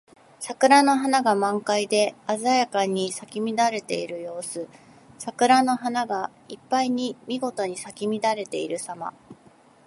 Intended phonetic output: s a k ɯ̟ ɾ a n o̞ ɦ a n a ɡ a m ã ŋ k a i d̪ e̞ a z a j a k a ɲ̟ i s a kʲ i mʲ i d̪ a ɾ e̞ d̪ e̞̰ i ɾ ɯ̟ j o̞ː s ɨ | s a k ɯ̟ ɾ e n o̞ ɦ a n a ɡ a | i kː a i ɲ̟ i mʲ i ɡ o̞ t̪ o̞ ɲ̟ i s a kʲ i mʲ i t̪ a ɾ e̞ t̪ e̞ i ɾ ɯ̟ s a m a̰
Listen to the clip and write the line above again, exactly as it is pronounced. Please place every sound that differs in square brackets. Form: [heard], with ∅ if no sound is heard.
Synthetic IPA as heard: s a k ɯ̟ ɾ a n o̞ ɦ a n a ɡ a m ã ŋ k a i d̪ e̞ a z a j a k a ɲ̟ i s a kʲ i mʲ i d̪ a ɾ e̞ [t̪] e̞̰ i ɾ ɯ̟ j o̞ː s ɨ | s a k ɯ̟ ɾ [a] n o̞ ɦ a n a ɡ a | i [pː] a i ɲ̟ i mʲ i ɡ o̞ t̪ o̞ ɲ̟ i s a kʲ i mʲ i [d̪] a ɾ e̞ t̪ e̞ i ɾ ɯ̟ s a m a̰

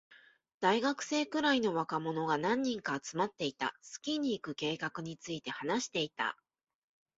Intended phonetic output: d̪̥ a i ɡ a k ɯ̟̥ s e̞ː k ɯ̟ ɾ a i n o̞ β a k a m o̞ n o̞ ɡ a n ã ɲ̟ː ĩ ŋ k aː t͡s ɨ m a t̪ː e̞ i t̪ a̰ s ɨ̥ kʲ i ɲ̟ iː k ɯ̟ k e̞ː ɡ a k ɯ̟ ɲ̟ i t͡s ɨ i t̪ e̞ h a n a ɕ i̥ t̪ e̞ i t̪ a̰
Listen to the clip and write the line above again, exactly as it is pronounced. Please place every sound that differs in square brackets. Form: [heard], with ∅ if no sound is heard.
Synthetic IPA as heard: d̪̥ a i ɡ a k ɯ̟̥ s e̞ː k ɯ̟ ɾ a i n o̞ β a k a m o̞ n o̞ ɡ a n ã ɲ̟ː ĩ ŋ k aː t͡s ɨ m a t̪ː e̞ i t̪ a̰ s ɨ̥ kʲ i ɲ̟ iː k ɯ̟ k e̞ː [k] a k ɯ̟ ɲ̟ i t͡s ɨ i t̪ e̞ h a n a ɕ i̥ t̪ e̞ i t̪ a̰

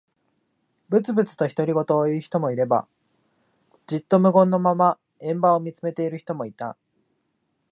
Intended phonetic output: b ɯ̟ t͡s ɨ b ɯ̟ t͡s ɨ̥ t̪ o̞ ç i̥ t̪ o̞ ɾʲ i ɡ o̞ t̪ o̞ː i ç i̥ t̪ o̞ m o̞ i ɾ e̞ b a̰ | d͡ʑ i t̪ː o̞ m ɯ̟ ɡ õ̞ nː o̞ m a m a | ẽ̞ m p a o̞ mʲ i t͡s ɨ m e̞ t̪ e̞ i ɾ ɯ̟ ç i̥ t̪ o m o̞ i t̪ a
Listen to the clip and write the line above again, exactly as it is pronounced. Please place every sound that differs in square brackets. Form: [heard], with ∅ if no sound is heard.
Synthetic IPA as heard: b ɯ̟ t͡s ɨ b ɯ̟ t͡s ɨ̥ t̪ o̞ ç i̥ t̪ o̞ ɾʲ i ɡ o̞ t̪ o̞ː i ç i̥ t̪ o̞ m o̞ i ɾ e̞ b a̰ | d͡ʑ i t̪ː o̞ m ɯ̟ ɡ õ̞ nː o̞ m a m a | ẽ̞ m [b] a o̞ mʲ i t͡s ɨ m e̞ t̪ e̞ i ɾ ɯ̟ ç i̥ t̪ o m o̞ i t̪ a

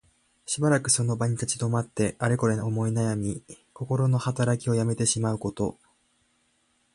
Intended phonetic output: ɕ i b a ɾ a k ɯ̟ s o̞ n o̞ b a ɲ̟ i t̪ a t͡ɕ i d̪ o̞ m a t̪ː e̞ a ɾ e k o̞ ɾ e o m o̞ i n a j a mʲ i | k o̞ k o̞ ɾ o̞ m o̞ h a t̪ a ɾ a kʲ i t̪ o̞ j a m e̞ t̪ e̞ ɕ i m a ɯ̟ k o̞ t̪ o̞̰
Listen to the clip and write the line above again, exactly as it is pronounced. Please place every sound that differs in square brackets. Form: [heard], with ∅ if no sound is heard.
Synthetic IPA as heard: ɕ i b a ɾ a k ɯ̟ s o̞ n o̞ b a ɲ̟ i t̪ a t͡ɕ i d̪ o̞ m a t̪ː e̞ a ɾ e k o̞ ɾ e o m o̞ i n a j a mʲ i | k o̞ k o̞ ɾ o̞ [n] o̞ h a t̪ a ɾ a kʲ i [∅] o̞ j a m e̞ t̪ e̞ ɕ i m a ɯ̟ k o̞ t̪ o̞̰

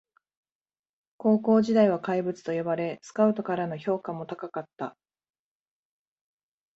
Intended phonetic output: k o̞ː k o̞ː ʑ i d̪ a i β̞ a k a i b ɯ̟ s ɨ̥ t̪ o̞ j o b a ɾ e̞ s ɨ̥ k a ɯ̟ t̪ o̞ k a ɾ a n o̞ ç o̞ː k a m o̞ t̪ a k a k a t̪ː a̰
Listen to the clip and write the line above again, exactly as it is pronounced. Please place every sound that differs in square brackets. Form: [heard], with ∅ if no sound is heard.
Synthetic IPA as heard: k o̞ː k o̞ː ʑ i d̪ a i β̞ a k a i b ɯ̟ [t͡s] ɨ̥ t̪ o̞ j o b a ɾ e̞ s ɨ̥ k a ɯ̟ t̪ o̞ k a ɾ a n o̞ ç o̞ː k a m o̞ t̪ a k a k a t̪ː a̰

